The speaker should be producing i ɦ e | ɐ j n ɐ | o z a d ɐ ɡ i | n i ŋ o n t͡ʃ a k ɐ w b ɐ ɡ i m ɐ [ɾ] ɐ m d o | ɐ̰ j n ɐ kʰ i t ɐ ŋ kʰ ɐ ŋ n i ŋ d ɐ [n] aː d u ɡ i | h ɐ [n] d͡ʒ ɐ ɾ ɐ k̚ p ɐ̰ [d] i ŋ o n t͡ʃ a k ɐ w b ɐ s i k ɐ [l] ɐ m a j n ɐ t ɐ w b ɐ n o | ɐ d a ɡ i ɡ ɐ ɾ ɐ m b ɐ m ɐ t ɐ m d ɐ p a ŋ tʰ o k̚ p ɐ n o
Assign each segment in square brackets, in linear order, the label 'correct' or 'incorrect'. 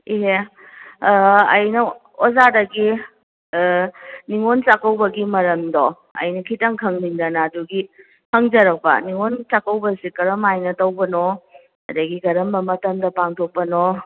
correct, correct, incorrect: ŋ, incorrect: n, incorrect: ɾ

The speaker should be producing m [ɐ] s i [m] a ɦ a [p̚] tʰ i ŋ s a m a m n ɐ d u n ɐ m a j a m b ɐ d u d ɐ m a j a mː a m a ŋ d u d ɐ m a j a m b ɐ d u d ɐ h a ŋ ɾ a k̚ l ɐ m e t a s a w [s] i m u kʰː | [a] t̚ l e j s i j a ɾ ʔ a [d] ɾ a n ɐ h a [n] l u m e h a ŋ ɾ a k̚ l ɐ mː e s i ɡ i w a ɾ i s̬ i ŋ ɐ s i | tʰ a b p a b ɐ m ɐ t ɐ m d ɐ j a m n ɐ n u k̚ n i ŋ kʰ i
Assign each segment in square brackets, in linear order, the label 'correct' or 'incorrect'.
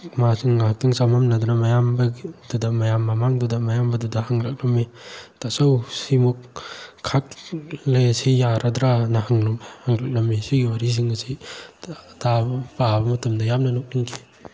incorrect: a, incorrect: ŋ, incorrect: k̚, correct, correct, correct, incorrect: ŋ

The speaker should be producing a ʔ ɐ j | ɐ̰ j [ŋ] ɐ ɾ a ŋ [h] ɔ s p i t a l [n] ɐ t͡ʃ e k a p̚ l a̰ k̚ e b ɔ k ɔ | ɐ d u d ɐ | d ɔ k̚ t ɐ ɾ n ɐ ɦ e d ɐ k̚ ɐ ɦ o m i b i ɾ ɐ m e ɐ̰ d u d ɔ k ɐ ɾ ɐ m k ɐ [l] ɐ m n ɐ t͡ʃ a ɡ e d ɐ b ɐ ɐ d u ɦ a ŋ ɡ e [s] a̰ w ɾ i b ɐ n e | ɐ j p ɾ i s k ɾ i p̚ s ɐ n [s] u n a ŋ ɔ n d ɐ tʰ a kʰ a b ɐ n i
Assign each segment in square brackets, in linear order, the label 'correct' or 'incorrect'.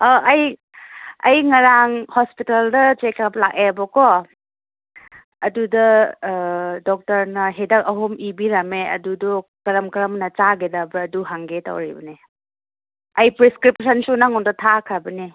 correct, correct, incorrect: d, incorrect: ɾ, incorrect: t, correct

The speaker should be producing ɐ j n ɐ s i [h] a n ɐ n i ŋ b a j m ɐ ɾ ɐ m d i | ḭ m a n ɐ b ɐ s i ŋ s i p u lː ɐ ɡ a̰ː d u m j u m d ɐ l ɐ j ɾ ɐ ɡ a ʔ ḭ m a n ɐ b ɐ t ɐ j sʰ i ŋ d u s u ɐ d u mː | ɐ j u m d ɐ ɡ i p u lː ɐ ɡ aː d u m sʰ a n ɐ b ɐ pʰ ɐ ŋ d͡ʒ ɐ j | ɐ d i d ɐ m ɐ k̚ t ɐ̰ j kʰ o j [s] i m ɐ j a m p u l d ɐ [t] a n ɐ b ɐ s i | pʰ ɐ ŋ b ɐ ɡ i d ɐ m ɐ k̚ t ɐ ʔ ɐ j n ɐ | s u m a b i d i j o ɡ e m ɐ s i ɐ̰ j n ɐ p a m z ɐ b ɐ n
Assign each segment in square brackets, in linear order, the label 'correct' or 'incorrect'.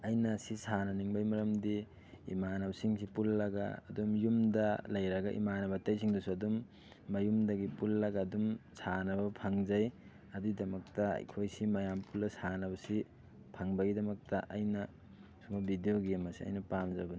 incorrect: s, correct, incorrect: s

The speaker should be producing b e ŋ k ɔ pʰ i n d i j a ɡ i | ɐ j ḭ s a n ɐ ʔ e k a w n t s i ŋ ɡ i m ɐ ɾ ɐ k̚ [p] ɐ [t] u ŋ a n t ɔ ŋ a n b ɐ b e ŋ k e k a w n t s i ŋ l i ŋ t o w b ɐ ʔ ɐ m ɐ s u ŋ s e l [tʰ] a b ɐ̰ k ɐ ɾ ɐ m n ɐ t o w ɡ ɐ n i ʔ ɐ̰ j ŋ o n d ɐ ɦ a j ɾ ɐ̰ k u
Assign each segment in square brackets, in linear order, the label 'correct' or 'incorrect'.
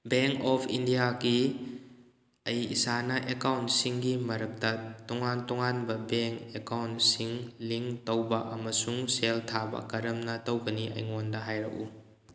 incorrect: t, correct, correct

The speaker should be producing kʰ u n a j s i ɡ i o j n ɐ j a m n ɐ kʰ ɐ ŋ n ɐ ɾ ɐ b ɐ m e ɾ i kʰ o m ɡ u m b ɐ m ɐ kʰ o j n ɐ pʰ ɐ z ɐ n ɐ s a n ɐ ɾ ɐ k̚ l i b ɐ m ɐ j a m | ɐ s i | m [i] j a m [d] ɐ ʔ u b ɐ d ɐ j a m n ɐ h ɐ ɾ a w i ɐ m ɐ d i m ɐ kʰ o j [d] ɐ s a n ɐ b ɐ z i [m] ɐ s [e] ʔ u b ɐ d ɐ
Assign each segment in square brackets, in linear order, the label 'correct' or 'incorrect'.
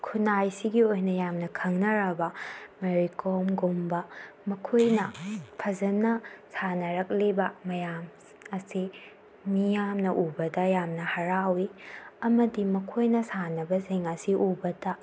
correct, incorrect: n, incorrect: n, incorrect: ŋ, incorrect: i

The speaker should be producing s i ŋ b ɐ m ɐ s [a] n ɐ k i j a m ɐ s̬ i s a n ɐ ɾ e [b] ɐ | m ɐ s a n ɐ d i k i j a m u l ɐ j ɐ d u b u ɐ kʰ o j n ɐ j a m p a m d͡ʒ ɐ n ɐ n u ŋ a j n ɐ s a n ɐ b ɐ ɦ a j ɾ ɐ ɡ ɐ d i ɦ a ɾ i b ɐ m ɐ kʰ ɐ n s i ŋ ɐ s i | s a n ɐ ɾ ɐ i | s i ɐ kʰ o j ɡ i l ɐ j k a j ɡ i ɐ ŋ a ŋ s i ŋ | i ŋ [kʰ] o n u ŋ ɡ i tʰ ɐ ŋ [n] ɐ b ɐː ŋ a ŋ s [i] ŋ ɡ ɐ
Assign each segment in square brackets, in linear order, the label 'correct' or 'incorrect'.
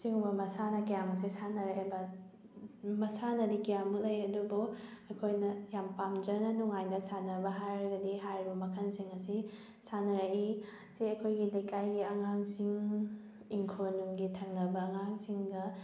correct, correct, correct, correct, correct

